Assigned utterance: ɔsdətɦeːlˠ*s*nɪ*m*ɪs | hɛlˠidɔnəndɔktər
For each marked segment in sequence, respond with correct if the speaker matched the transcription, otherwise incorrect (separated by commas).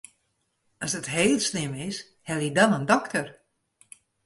correct, correct